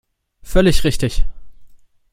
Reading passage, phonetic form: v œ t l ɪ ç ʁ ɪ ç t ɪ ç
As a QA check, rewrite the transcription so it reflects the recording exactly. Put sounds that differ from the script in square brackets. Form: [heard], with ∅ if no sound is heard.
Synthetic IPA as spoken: [f] œ [∅] l ɪ ç ʁ ɪ ç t ɪ ç